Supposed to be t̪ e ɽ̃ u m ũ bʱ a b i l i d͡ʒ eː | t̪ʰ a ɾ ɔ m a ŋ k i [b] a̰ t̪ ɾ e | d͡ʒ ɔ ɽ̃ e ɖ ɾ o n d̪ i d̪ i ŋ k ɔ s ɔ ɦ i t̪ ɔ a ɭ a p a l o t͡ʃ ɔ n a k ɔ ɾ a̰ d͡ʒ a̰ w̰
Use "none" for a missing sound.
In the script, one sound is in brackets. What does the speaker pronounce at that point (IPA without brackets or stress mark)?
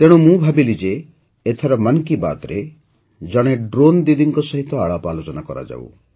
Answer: b